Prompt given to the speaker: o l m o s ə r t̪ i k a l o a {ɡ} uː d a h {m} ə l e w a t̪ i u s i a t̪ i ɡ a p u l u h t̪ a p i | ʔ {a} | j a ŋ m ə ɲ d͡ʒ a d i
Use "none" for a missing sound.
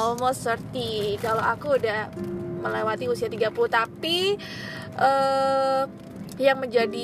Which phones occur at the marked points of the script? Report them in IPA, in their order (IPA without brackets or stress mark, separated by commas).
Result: k, m, ə